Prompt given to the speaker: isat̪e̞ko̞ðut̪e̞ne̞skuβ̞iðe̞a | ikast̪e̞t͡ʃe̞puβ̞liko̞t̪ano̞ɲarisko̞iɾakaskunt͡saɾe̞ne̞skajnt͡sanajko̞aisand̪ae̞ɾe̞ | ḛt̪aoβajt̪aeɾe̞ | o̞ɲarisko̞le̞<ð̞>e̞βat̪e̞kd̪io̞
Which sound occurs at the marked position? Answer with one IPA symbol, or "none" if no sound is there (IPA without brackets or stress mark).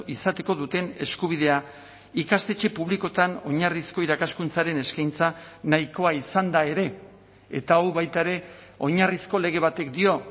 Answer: ɣ̞